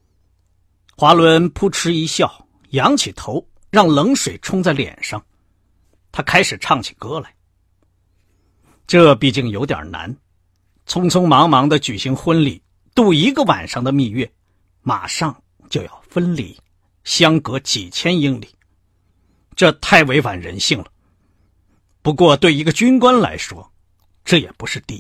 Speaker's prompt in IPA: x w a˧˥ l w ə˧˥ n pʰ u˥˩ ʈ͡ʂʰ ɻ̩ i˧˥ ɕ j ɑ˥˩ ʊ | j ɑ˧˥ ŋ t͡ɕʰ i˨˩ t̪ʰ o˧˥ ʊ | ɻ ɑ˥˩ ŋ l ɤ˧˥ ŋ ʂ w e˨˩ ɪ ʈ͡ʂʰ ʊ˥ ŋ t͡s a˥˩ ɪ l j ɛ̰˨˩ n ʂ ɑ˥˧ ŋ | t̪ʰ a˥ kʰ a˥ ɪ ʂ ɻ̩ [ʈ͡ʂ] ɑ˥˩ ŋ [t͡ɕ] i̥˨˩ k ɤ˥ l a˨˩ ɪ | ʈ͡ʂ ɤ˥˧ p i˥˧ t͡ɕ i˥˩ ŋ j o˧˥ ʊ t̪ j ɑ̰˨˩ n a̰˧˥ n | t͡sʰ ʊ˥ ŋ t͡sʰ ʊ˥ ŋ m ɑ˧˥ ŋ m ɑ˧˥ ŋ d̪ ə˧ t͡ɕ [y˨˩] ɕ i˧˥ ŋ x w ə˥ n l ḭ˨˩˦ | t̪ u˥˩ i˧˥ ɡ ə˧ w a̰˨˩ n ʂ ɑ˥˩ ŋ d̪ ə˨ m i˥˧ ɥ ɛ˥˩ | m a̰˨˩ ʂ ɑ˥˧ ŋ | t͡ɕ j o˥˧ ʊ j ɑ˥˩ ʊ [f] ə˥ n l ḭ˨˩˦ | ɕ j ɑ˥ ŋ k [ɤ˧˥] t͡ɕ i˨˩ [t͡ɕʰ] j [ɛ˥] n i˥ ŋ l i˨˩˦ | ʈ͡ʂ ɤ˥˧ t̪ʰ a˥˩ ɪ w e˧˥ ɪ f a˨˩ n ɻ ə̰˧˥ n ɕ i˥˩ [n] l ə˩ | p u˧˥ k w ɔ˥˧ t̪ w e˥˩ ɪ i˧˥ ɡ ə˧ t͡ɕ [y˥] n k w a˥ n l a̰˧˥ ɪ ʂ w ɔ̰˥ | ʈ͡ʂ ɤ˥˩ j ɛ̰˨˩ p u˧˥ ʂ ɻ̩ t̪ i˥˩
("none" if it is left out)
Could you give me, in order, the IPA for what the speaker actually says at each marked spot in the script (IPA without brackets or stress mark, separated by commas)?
ʈ͡ʂʰ, t͡ɕʰ, y˨˩, f, ɤ˧˥, t͡ɕʰ, ɛ˥, ŋ, y˥